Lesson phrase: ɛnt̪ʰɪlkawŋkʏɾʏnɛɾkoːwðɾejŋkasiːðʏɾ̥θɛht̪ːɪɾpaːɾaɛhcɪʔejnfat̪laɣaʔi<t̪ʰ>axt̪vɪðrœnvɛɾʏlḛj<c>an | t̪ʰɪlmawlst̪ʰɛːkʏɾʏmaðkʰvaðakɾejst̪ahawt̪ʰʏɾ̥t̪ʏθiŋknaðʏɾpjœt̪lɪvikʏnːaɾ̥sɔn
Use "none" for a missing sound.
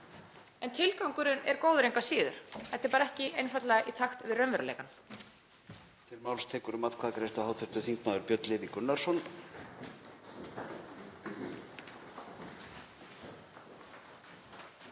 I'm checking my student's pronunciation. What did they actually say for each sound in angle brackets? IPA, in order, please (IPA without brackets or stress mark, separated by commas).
t̪ʰ, k